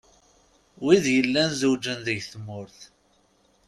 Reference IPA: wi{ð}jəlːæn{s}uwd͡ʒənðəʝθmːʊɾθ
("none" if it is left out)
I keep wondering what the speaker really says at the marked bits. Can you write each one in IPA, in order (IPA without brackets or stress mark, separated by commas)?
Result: ð, z